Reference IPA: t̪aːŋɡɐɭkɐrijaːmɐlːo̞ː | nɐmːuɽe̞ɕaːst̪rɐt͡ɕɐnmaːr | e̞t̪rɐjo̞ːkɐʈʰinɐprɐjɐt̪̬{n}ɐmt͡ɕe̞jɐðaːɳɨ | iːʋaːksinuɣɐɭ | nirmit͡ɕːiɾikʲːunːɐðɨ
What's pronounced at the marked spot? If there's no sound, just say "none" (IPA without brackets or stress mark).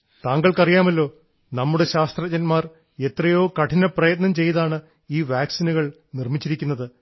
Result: n